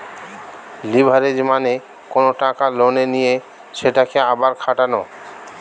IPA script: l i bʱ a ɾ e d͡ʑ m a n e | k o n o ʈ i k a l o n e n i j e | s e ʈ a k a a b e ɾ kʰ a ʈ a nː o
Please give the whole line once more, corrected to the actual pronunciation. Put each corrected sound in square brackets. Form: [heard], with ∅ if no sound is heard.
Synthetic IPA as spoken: l i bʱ a ɾ e d͡ʑ m a n e | k o n o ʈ [a] k a l o n e n i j e | [ʃ] e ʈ a k [e] a b [a] ɾ kʰ a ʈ a [n] o